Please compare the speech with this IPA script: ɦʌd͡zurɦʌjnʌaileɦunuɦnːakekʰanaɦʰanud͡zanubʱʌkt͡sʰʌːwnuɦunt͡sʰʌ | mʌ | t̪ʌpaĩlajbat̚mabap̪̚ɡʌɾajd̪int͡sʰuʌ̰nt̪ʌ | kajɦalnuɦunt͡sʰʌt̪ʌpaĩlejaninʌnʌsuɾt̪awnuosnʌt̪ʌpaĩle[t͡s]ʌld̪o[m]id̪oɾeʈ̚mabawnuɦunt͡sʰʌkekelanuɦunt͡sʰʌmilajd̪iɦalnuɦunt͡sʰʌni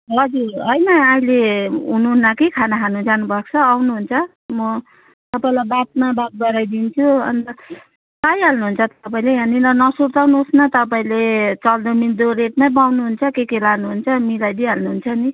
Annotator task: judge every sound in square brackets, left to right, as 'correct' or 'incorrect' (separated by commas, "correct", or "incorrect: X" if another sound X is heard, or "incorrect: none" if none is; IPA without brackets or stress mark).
correct, correct